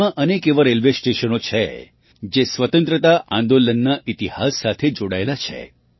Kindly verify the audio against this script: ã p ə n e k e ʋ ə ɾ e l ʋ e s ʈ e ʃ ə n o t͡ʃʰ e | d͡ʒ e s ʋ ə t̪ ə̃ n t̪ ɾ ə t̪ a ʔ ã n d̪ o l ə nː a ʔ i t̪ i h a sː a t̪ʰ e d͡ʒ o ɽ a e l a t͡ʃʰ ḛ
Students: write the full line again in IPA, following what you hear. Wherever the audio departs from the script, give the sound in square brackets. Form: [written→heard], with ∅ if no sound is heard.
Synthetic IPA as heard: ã [p→ʔ] ə n e k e ʋ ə ɾ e l ʋ e s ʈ e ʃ ə n o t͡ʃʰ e | d͡ʒ e s ʋ ə t̪ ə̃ n t̪ ɾ ə t̪ a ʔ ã n d̪ o l ə nː a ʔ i t̪ i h a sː a t̪ʰ e d͡ʒ o ɽ a e l a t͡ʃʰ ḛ